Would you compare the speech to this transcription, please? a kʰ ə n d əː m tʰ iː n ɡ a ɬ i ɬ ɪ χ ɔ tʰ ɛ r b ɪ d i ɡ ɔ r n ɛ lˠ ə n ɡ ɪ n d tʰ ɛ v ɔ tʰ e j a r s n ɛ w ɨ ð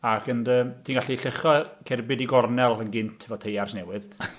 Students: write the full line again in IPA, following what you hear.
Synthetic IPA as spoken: a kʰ ə n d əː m tʰ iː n ɡ a ɬ i ɬ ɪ χ ɔ kʰ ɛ r b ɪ d i ɡ ɔ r n ɛ lˠ ə n ɡ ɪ n t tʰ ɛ v ɔ tʰ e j a r s n ɛ w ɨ ð